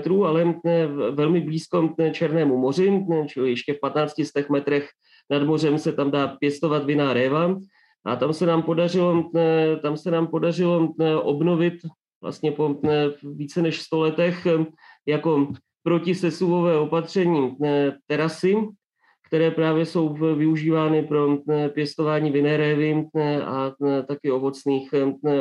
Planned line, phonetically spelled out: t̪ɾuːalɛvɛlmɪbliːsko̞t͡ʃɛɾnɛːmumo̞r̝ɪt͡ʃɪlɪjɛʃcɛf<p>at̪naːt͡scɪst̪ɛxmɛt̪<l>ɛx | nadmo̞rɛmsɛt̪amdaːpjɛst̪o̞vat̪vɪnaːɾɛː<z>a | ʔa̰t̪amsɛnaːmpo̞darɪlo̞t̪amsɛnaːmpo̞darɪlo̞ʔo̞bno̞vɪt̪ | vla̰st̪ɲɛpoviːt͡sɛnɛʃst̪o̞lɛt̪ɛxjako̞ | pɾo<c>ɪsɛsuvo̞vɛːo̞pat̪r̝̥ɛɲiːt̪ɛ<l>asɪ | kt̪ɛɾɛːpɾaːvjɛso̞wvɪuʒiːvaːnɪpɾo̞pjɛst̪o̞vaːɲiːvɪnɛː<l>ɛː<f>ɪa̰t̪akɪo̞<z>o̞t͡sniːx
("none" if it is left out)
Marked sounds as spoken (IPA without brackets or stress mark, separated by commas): p, ɾ, v, c, ɾ, ɾ, v, v